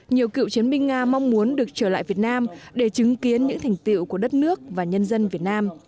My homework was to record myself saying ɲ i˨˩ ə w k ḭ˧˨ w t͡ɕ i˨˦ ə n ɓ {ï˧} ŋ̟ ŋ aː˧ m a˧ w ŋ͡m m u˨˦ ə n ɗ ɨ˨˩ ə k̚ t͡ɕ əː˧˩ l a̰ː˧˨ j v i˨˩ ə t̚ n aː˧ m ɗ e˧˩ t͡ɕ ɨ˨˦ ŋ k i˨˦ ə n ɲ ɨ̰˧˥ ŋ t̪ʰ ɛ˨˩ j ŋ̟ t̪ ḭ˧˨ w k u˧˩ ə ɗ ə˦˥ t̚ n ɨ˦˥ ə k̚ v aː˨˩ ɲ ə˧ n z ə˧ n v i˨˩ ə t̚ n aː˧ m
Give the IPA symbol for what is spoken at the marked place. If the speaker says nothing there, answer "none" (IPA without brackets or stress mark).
ï˧